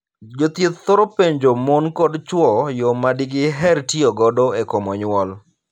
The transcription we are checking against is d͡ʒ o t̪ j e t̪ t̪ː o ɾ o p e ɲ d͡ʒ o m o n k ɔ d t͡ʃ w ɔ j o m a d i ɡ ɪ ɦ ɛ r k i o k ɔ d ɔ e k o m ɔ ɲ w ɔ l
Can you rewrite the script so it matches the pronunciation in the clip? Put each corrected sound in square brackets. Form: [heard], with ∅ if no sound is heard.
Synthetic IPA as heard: d͡ʒ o t̪ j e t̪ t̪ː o ɾ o p e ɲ d͡ʒ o m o n k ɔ d t͡ʃ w ɔ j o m a d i ɡ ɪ ɦ ɛ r [t] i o [ɡ] ɔ d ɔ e k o m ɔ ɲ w ɔ l